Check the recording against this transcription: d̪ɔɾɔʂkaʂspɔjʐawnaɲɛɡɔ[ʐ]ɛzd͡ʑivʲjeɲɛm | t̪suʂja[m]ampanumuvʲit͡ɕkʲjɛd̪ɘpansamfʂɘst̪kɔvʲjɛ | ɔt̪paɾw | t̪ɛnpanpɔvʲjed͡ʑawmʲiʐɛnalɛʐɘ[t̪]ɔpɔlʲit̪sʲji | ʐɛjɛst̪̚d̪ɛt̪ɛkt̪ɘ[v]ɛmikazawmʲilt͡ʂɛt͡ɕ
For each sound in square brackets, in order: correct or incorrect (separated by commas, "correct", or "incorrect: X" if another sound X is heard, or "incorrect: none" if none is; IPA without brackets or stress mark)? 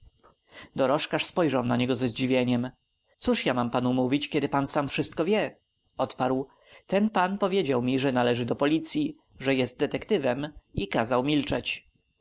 incorrect: z, correct, incorrect: d̪, correct